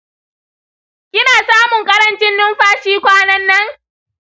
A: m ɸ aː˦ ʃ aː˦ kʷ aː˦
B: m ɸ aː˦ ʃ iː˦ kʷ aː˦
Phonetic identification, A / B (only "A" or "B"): B